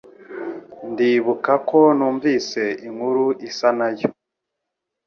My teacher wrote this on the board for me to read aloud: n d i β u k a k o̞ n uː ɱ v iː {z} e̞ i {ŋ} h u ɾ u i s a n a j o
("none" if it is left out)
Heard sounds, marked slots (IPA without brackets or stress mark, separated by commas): s, ŋ